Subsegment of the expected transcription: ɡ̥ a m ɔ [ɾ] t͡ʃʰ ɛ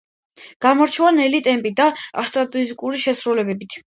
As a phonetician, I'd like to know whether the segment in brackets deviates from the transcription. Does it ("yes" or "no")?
no